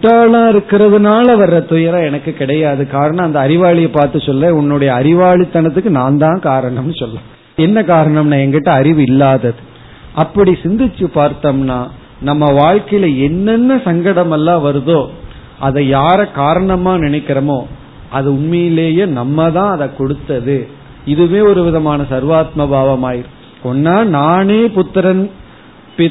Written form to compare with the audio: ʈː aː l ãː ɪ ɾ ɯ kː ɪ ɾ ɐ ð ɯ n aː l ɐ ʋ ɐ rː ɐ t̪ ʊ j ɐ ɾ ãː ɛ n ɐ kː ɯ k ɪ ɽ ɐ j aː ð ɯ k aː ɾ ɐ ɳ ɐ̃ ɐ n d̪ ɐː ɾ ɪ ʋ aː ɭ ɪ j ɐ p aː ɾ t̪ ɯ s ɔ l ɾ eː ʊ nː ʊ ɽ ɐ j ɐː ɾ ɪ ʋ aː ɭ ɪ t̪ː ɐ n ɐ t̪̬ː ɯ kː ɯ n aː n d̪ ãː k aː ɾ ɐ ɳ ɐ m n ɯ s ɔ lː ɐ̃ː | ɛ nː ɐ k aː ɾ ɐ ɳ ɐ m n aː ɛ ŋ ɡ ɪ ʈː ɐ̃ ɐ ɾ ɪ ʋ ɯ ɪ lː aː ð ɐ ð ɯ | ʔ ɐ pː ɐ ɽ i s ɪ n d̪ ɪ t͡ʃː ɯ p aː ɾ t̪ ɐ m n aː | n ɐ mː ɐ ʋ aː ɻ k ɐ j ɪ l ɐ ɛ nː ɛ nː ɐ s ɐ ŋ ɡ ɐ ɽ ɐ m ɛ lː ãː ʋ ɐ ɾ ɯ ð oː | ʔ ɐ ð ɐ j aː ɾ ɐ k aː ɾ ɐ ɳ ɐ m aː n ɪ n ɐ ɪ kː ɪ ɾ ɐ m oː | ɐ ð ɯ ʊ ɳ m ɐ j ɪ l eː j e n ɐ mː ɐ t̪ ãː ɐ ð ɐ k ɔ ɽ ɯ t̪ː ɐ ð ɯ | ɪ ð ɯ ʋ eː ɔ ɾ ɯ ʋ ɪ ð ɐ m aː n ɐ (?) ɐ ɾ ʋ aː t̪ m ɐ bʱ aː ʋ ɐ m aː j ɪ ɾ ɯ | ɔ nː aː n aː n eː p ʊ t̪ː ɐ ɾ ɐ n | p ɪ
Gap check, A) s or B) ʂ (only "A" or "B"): A